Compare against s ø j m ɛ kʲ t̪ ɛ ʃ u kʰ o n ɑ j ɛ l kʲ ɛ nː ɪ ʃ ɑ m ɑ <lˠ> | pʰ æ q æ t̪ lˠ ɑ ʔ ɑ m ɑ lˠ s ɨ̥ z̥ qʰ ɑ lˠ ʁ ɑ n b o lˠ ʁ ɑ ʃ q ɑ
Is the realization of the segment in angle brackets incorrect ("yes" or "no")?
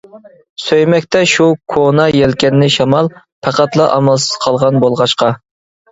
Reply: no